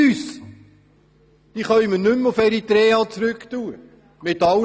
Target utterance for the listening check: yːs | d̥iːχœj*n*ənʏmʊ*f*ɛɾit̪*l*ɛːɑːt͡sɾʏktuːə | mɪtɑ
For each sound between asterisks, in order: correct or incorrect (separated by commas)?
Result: incorrect, correct, incorrect